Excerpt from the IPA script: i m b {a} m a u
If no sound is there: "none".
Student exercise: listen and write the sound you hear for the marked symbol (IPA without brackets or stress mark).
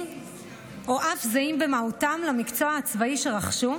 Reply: e